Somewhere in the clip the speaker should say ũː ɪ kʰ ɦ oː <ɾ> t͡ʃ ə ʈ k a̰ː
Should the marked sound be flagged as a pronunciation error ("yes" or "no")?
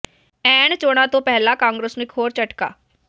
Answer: no